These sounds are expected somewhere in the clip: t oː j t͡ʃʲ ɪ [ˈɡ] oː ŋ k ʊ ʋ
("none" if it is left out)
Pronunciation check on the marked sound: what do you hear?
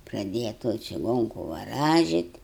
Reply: ɡ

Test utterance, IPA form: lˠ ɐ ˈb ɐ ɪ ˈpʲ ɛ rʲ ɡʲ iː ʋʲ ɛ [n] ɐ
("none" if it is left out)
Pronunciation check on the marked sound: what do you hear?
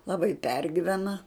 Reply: n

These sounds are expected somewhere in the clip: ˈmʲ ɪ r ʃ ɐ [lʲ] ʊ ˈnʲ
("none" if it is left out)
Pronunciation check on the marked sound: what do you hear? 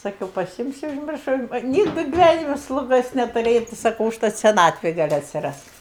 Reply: none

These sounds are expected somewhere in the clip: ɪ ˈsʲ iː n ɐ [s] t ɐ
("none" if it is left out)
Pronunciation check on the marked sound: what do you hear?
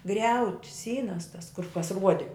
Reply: s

